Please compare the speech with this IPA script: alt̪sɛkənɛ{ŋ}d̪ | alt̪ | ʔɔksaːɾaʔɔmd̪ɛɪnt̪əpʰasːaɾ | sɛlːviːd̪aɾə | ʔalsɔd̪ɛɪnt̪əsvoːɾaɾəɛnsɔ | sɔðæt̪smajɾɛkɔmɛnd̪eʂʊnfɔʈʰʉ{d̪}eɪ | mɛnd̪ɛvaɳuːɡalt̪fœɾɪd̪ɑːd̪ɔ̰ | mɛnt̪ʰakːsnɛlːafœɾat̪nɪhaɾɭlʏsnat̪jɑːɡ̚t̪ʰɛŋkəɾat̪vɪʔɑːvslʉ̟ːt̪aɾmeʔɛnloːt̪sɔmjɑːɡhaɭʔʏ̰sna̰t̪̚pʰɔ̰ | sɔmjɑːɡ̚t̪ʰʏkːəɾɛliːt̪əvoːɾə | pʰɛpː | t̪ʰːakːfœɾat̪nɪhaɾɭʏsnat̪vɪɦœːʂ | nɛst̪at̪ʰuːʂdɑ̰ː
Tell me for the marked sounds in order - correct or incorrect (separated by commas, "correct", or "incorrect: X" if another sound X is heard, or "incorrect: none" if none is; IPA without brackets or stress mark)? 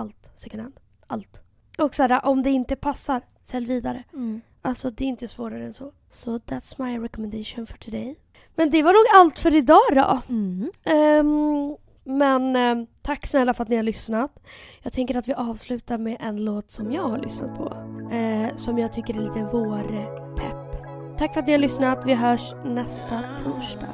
incorrect: n, correct